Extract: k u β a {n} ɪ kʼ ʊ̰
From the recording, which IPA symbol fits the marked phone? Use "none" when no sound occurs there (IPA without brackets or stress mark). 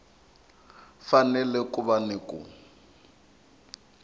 n